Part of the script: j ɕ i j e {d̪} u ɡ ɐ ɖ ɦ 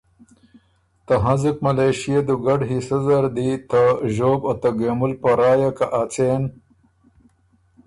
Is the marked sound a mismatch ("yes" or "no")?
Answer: no